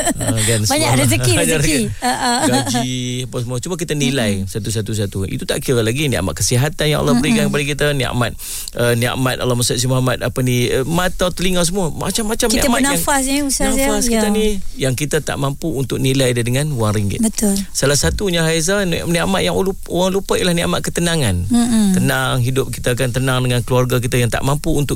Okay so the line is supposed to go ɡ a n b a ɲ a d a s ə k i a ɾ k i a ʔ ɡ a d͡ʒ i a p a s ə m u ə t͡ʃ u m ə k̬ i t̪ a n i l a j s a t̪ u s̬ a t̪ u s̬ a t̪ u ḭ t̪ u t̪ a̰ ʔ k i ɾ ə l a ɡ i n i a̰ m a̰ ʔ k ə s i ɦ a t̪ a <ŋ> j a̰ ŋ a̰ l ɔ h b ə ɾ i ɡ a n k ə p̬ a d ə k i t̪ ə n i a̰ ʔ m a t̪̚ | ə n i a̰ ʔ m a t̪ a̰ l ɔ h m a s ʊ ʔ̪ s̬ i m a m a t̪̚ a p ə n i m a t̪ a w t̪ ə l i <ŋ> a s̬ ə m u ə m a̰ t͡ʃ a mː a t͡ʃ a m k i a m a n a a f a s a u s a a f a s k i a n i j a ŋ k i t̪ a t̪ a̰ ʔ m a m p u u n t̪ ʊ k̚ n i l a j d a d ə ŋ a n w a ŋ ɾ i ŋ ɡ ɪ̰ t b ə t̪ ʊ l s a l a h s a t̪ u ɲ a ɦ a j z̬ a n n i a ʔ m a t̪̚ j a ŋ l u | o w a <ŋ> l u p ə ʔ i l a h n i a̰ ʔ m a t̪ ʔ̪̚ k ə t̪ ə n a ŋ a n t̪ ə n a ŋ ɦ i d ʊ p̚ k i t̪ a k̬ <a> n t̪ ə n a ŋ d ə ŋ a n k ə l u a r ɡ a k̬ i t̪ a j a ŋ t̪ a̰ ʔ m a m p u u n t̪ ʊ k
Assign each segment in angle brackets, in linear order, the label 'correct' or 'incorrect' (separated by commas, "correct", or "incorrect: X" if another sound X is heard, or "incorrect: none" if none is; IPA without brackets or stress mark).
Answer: incorrect: n, correct, correct, correct